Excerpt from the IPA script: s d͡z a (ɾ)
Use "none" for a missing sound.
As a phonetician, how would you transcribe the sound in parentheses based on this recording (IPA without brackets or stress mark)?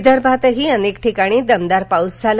l